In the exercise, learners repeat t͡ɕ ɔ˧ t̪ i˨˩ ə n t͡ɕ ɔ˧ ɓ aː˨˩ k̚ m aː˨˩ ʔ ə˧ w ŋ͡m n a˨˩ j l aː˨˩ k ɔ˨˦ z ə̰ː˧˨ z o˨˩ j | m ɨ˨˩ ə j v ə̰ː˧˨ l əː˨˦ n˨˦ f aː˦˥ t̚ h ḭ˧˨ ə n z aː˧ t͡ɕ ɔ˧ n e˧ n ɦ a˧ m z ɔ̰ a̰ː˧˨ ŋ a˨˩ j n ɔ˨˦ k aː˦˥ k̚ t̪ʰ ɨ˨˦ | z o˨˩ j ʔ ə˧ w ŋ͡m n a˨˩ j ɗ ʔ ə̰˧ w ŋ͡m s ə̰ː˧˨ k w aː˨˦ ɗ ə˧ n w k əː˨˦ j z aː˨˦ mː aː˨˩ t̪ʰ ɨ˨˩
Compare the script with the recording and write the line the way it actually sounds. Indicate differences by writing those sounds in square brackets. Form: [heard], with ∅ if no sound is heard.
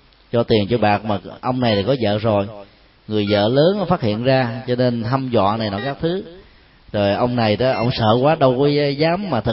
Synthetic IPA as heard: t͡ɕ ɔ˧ t̪ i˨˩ ə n t͡ɕ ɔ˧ ɓ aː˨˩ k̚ m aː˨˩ ʔ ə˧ w ŋ͡m n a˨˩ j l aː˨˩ k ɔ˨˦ z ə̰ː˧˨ z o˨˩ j | [ŋ] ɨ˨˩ ə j [z] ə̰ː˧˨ l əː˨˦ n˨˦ f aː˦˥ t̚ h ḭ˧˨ ə n z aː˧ t͡ɕ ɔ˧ n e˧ n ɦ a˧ m z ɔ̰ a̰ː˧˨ [n] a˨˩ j n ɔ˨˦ k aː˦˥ k̚ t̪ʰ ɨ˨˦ | z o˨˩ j ʔ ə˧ w ŋ͡m n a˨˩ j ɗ ʔ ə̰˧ w ŋ͡m s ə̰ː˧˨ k w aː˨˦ ɗ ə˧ [∅] w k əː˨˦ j z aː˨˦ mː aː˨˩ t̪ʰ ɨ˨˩